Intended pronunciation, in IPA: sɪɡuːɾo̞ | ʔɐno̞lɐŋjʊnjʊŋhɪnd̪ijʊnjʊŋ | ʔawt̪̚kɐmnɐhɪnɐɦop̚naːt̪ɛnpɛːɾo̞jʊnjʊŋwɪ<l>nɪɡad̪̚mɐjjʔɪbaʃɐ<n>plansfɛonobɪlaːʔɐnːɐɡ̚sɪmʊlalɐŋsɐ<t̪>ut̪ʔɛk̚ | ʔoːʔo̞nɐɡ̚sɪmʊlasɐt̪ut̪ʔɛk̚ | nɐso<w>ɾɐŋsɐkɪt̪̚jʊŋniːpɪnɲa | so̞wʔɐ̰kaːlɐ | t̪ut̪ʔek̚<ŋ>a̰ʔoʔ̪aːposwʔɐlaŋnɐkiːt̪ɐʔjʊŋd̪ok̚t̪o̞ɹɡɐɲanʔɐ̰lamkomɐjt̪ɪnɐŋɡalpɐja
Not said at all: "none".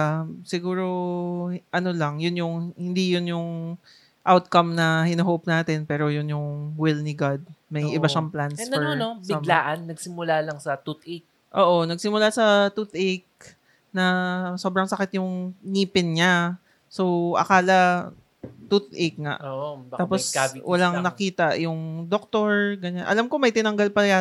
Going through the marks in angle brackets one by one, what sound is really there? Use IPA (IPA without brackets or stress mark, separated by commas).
l, ŋ, t̪, b, ŋ